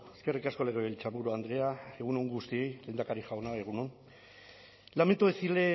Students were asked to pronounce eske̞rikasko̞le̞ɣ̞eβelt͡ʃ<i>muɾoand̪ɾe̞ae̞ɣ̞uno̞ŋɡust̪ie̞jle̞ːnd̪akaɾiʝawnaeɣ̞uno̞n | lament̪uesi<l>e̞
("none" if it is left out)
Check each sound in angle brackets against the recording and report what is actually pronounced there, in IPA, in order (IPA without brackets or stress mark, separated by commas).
a, l